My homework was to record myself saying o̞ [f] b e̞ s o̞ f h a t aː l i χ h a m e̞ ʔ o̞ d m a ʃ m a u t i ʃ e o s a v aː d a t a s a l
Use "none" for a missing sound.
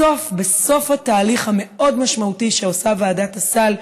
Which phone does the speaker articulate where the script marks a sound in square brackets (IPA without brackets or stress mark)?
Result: f